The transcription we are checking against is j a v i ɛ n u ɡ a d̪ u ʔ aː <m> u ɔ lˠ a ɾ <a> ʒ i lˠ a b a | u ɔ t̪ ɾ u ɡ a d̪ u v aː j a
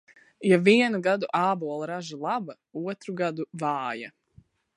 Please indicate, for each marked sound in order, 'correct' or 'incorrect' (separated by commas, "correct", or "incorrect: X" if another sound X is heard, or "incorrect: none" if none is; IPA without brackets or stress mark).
incorrect: b, correct